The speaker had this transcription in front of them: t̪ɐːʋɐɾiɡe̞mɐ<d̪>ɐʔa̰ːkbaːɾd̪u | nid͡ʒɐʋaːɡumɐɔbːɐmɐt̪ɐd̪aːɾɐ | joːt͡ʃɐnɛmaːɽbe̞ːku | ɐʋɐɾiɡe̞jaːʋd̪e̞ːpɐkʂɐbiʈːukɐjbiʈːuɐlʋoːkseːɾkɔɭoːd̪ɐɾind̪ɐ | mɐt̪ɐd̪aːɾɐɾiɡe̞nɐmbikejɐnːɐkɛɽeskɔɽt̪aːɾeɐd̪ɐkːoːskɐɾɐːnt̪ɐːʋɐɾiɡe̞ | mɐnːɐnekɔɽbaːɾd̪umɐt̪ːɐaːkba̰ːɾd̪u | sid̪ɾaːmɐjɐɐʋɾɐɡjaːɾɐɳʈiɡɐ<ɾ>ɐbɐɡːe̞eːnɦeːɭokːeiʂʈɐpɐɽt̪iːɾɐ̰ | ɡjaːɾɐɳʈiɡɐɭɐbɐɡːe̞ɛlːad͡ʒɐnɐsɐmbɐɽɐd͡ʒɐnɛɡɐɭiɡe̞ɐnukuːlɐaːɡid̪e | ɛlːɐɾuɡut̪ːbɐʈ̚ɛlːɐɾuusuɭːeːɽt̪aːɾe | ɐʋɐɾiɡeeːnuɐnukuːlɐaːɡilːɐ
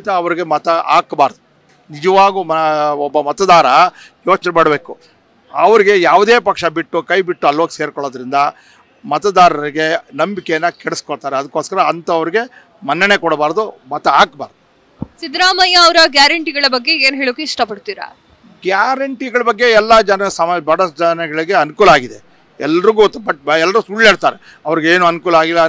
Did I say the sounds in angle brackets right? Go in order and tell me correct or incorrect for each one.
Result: incorrect, incorrect

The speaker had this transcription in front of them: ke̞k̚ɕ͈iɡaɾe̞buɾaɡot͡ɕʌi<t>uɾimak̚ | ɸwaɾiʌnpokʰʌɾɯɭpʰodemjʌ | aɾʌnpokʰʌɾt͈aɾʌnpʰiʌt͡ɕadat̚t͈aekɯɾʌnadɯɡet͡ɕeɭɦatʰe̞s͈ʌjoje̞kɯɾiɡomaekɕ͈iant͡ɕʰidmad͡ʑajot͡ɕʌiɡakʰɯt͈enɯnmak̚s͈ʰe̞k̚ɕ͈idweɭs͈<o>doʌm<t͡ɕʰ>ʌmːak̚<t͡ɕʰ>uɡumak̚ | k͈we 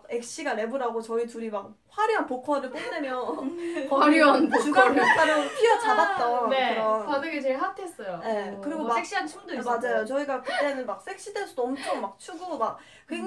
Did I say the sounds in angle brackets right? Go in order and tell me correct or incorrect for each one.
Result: correct, incorrect, correct, correct

